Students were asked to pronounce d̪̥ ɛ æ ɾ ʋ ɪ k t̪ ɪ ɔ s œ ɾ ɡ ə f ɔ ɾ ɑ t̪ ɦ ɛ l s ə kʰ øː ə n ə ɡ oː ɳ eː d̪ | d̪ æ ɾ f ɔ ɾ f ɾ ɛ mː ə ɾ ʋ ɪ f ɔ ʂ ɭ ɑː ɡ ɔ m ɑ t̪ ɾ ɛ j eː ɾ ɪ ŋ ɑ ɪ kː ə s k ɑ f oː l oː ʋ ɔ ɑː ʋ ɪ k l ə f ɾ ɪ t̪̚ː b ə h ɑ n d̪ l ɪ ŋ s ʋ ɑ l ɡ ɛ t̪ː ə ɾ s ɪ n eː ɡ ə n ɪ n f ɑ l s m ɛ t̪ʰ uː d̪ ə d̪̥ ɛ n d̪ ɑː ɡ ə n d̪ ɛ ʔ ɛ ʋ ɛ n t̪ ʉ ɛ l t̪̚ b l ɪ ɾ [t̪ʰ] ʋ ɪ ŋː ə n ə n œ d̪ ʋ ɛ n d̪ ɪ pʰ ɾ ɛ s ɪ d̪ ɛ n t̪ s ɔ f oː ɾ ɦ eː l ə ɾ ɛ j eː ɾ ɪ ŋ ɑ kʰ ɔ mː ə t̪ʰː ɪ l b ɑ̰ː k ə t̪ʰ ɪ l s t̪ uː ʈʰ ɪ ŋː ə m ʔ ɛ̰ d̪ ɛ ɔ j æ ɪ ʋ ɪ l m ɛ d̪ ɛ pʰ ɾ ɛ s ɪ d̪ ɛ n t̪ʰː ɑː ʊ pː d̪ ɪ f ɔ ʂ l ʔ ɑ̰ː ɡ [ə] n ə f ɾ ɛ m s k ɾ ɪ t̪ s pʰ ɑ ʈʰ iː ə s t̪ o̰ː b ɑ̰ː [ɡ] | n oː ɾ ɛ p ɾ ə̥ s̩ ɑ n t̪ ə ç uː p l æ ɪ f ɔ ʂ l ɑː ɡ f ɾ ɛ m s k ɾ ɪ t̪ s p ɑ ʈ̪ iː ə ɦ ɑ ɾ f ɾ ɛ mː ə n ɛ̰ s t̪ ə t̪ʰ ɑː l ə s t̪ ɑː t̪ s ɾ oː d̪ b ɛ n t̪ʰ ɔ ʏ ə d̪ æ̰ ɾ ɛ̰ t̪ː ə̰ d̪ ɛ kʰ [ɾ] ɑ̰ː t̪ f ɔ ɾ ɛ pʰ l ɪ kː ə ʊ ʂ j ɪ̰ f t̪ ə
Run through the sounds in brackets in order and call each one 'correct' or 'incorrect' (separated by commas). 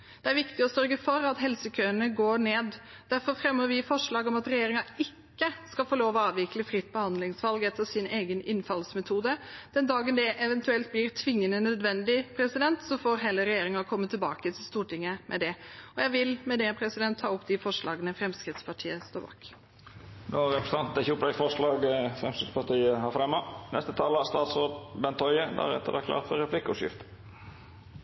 correct, correct, incorrect, incorrect